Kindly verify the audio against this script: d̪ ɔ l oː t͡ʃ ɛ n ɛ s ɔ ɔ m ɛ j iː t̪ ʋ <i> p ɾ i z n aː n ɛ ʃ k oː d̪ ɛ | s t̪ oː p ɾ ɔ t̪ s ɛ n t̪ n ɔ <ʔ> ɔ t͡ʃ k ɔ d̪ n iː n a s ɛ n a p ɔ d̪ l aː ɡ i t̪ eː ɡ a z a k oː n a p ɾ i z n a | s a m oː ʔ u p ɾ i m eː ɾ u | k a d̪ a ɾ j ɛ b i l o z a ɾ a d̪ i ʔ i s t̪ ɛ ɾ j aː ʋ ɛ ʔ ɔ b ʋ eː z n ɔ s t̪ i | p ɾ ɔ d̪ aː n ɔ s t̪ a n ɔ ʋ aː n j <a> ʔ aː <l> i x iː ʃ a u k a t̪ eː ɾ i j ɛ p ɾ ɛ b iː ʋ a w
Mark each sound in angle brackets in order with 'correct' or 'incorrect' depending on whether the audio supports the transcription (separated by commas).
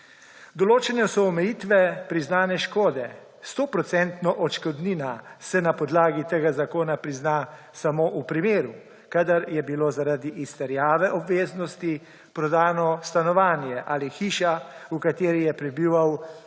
incorrect, correct, incorrect, correct